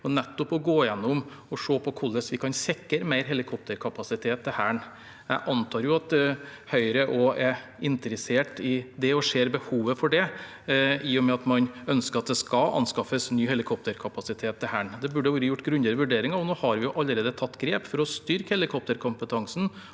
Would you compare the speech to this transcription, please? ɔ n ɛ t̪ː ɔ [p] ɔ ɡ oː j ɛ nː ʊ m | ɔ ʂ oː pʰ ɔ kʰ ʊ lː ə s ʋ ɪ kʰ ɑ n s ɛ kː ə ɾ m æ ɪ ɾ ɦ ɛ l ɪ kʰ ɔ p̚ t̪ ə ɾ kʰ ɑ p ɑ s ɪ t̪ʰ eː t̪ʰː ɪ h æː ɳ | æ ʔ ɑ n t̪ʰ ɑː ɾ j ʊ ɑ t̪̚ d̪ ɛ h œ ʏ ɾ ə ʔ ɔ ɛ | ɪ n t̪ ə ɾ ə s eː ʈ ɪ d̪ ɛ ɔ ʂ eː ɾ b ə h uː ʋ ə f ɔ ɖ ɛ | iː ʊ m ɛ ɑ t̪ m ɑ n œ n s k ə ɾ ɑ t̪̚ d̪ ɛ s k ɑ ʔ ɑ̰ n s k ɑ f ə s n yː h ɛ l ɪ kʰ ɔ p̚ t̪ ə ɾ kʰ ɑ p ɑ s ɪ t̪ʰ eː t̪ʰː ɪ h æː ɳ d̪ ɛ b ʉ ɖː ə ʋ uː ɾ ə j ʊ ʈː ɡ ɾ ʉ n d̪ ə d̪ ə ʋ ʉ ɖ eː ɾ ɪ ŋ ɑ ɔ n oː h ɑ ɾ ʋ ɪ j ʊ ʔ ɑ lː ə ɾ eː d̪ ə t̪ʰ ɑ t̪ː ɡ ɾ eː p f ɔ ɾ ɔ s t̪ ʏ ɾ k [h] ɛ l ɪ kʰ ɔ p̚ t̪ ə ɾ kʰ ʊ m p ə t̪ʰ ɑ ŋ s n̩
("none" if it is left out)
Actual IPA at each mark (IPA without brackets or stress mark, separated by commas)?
p, h